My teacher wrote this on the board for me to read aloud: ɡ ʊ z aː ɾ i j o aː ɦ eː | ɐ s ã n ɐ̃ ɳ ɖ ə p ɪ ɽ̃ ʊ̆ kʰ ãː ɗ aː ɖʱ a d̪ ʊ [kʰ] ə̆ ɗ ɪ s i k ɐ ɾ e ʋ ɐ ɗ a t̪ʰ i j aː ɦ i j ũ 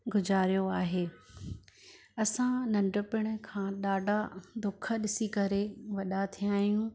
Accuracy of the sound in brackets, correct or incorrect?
correct